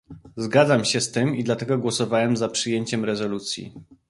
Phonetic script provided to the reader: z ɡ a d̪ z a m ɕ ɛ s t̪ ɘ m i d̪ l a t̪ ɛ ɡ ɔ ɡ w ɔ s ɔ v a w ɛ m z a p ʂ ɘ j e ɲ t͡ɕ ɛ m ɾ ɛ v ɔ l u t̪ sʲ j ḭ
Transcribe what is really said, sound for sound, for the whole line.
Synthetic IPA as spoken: z ɡ a d̪ z a m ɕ ɛ s t̪ ɘ m i d̪ l a t̪ ɛ ɡ ɔ ɡ w ɔ s ɔ v a w ɛ m z a p ʂ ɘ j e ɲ t͡ɕ ɛ m ɾ ɛ z ɔ l u t̪ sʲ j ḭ